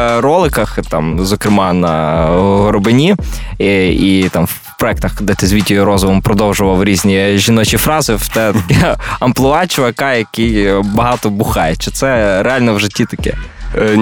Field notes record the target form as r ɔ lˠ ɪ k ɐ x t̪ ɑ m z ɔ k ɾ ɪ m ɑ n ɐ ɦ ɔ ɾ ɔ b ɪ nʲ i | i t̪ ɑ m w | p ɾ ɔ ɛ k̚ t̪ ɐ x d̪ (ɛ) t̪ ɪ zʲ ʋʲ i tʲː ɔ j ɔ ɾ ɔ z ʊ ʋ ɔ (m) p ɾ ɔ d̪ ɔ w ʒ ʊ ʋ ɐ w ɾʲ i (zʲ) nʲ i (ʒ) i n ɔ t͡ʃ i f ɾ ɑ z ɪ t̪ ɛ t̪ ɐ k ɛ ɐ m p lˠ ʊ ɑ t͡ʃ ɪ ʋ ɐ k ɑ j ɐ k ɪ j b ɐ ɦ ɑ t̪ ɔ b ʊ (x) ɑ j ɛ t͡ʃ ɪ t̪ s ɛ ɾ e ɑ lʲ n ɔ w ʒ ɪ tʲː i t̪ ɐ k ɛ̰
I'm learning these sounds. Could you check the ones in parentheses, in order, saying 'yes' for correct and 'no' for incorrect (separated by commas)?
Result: yes, yes, yes, yes, yes